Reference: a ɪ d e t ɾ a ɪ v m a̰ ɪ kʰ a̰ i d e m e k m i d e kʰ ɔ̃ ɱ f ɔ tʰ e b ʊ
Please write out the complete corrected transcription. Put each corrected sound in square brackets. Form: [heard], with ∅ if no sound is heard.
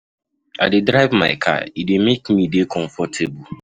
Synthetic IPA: a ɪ d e [d] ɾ a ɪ v m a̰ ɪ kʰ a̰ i d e m e k m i d e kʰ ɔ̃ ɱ f ɔ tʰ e b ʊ